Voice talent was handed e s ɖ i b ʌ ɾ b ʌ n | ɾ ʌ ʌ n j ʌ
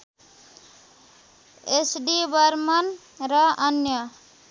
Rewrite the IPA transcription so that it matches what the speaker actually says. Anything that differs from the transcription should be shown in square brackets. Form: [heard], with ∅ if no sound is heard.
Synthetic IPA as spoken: e s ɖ i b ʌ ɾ [m] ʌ n | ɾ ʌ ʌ n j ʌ